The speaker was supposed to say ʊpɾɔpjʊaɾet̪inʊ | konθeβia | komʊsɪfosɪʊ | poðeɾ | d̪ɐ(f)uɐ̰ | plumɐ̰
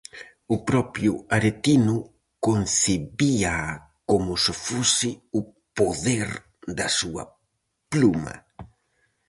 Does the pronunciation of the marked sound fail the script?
yes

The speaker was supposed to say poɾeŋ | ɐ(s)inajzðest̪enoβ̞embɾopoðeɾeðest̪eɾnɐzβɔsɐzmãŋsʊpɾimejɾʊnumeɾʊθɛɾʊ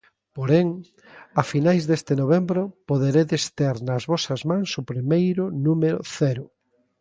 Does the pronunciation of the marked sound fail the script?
yes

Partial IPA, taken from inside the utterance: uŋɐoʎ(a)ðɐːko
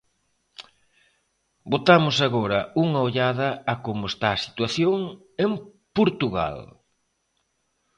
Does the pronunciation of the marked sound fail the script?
no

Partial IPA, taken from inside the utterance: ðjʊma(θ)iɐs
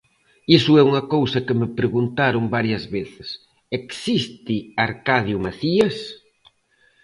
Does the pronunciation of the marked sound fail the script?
no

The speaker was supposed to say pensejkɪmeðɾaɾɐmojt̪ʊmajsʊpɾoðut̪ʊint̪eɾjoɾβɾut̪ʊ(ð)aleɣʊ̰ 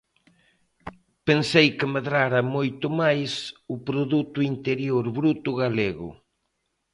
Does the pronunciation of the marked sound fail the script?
yes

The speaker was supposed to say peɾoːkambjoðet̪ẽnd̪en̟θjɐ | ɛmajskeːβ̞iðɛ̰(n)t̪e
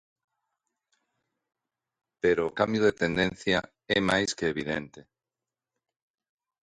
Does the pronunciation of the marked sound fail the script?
no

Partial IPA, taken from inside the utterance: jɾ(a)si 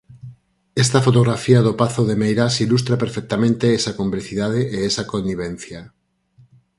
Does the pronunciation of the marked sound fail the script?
no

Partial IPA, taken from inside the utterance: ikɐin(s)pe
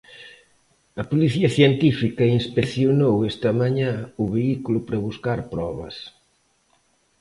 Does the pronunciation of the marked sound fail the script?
no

